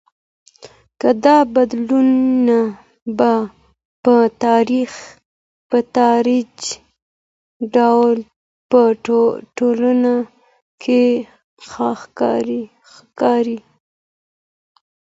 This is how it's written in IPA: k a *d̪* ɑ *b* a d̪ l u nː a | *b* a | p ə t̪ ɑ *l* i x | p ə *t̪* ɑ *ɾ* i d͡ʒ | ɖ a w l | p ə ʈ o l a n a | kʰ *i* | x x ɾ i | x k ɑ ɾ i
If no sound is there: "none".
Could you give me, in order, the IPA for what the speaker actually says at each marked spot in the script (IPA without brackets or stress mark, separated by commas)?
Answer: d̪, b, b, ɾ, t̪, ɾ, e